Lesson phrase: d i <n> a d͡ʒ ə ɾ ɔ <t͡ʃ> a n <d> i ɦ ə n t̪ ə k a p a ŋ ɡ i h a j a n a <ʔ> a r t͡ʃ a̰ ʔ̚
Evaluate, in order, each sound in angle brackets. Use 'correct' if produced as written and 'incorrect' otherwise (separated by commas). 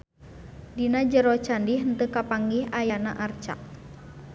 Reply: correct, correct, correct, correct